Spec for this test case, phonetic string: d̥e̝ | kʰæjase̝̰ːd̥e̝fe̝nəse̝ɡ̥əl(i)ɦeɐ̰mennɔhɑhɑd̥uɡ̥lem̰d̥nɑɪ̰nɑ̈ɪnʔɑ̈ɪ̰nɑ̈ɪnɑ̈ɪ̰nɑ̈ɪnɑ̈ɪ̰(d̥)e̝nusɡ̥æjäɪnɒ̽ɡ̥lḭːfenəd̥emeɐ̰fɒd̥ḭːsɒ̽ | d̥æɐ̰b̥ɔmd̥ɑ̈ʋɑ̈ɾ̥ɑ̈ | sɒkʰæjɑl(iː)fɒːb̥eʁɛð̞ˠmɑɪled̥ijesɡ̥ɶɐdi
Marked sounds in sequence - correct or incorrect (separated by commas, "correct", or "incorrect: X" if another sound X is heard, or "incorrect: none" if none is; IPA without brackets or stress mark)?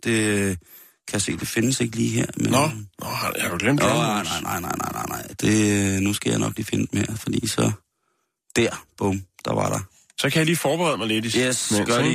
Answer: incorrect: iː, correct, correct